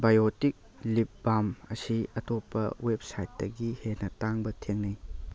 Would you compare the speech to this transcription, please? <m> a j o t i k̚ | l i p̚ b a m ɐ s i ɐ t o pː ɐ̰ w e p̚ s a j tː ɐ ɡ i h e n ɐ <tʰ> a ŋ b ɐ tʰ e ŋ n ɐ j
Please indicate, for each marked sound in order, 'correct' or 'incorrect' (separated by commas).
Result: incorrect, incorrect